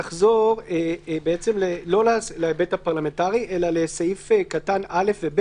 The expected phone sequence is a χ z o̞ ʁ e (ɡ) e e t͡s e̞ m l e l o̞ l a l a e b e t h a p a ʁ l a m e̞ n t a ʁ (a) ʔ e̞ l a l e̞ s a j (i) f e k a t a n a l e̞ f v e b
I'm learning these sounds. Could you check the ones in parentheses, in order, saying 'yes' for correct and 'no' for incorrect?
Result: no, no, yes

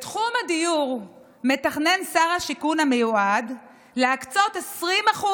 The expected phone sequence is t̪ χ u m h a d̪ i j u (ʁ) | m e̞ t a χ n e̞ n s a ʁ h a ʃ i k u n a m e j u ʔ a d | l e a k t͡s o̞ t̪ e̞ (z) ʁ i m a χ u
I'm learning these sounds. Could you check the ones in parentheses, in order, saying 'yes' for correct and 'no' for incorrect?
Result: yes, no

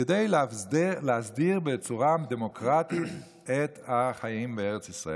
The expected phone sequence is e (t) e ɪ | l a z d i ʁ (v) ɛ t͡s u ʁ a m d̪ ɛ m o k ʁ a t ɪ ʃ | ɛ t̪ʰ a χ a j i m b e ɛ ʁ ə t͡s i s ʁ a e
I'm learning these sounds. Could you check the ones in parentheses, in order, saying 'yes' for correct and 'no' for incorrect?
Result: no, no

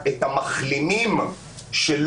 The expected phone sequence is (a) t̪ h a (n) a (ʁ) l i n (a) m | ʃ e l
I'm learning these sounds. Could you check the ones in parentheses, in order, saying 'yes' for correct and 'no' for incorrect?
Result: no, no, no, no

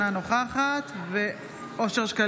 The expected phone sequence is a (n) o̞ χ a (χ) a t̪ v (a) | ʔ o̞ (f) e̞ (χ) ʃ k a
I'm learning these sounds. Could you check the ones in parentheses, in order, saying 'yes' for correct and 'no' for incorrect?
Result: yes, yes, no, no, no

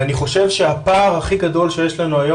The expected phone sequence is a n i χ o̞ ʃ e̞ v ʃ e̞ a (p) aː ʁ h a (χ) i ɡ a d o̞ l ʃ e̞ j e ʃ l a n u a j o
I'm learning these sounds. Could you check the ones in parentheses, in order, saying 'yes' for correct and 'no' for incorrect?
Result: yes, yes

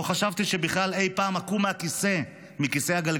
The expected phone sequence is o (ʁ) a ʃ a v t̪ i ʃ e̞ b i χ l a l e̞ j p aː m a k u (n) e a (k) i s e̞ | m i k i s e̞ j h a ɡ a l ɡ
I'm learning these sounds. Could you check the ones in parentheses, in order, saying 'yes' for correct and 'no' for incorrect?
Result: no, no, yes

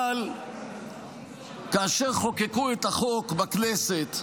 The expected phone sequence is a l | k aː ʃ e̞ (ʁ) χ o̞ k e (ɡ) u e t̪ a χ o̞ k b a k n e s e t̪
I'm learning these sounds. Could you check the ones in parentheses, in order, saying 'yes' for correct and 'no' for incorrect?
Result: yes, no

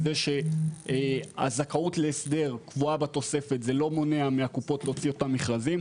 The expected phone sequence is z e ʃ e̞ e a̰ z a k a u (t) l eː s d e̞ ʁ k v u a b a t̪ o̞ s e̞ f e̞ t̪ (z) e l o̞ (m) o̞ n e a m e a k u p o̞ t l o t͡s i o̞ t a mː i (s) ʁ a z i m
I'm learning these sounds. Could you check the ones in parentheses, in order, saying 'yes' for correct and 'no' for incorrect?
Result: yes, yes, yes, no

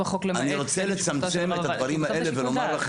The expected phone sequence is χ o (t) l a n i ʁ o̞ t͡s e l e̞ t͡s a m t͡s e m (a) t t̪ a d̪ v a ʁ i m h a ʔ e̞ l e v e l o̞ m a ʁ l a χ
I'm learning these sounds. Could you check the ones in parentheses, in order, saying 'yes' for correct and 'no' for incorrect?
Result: no, no

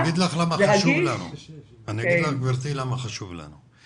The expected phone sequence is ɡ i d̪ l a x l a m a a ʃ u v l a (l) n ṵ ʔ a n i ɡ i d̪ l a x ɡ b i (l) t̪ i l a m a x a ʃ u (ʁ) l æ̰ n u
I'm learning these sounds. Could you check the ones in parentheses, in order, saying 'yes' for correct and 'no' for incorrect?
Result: no, no, no

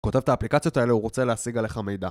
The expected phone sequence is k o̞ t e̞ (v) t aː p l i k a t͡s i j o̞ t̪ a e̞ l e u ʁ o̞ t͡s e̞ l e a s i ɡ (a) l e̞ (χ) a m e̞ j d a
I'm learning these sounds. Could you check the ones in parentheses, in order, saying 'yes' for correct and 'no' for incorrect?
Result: yes, yes, yes

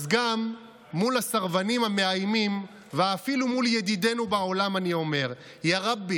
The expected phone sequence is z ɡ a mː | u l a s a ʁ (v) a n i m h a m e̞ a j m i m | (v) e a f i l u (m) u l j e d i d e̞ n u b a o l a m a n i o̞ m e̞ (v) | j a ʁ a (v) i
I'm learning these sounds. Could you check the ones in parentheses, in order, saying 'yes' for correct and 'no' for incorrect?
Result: yes, yes, yes, no, no

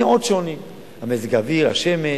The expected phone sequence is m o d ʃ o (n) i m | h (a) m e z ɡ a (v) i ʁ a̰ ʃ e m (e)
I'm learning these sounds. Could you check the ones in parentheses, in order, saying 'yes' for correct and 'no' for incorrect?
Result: yes, yes, yes, yes

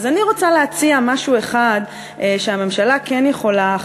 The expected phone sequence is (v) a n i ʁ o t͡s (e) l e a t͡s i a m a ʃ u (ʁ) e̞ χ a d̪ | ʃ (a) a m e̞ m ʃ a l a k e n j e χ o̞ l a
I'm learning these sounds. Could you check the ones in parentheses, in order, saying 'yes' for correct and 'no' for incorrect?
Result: no, no, no, no

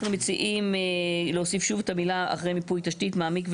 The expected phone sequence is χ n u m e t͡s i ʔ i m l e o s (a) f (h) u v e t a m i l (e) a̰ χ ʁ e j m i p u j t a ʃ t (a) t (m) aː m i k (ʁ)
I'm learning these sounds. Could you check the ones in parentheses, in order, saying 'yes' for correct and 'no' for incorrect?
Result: no, no, no, no, yes, no

